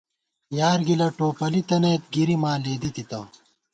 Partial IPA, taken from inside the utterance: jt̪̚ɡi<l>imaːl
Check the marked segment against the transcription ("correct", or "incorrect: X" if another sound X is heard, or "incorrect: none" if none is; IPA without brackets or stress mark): incorrect: ɾ